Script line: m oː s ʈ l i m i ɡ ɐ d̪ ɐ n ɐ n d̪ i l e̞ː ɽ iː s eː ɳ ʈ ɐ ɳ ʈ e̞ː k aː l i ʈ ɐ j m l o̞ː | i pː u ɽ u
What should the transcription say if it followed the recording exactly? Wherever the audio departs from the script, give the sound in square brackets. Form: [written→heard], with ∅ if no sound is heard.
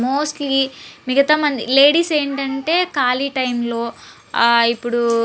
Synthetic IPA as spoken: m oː s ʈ l i m i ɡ ɐ [d̪→t̪] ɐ [n→m] ɐ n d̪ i l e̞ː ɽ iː s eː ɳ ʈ ɐ ɳ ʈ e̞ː k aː l i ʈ ɐ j m l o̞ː | i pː u ɽ u